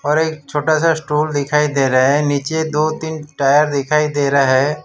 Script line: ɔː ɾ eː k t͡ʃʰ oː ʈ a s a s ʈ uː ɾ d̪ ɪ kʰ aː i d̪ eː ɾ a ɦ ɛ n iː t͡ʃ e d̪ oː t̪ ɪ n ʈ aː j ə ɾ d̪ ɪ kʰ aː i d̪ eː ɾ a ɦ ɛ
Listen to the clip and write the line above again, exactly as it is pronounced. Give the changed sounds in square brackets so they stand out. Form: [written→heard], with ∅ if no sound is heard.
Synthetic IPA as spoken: ɔː ɾ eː k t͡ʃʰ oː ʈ a s a s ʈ uː [ɾ→l] d̪ ɪ kʰ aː i d̪ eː ɾ a ɦ ɛ n iː t͡ʃ e d̪ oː t̪ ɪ n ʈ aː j ə ɾ d̪ ɪ kʰ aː i d̪ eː ɾ a ɦ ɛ